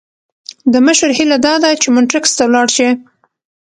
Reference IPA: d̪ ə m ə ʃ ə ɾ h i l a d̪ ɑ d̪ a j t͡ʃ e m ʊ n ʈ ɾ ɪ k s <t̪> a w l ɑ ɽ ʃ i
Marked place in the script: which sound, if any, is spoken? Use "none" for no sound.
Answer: t̪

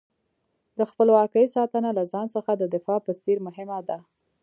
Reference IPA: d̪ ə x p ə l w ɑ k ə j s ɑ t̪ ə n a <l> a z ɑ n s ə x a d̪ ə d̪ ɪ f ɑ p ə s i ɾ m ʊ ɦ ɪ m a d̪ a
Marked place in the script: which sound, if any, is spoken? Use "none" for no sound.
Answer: l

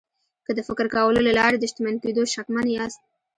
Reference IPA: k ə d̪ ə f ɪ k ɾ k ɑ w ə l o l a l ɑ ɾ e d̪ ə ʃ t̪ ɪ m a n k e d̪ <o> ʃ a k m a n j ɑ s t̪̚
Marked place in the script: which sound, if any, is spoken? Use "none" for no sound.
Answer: o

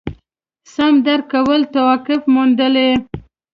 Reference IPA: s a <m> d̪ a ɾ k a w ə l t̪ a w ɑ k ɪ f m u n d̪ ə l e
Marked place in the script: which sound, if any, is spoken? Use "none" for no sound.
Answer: m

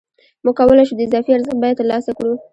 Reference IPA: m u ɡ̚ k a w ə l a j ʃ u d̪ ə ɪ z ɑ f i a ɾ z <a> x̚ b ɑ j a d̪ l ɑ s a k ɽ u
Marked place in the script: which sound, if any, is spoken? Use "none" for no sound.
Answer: ə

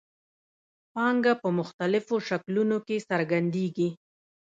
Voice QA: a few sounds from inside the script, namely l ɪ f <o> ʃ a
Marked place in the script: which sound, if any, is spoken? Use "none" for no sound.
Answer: o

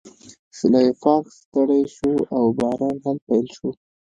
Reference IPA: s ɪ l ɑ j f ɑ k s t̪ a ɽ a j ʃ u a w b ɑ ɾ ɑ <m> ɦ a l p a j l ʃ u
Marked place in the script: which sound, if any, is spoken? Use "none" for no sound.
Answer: n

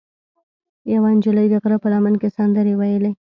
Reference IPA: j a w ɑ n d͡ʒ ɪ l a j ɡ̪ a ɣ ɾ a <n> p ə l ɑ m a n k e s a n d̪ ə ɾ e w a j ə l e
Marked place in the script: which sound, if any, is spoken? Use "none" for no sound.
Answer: none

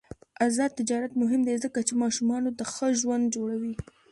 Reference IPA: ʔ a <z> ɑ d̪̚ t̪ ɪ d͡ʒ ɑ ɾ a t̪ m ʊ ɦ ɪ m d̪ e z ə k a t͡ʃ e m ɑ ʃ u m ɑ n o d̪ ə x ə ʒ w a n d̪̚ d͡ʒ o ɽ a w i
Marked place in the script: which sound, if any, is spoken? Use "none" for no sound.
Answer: z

